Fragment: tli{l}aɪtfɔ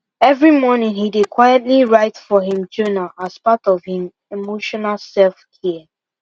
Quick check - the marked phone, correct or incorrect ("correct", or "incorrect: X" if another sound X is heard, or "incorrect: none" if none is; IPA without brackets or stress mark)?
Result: incorrect: ɹ